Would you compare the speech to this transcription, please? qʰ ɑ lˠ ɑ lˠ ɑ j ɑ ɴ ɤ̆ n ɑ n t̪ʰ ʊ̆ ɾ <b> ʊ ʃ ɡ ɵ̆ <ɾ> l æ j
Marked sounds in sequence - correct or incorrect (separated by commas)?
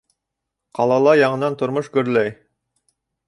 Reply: incorrect, correct